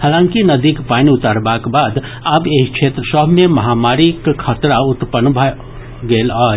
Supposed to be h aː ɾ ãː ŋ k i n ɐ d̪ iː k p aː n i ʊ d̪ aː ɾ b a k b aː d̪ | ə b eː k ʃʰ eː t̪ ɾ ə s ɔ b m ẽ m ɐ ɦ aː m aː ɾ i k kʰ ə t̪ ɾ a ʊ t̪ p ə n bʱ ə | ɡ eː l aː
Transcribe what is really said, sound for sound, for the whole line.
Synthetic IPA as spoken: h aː l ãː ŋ k i n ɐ d̪ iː k p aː n i ʊ t̪ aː ɾ b a k b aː d̪ | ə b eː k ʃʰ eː t̪ ɾ ə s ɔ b m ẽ m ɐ ɦ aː m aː ɾ i k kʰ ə t̪ ɾ a ʊ t̪ p ə n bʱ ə | ɡ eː l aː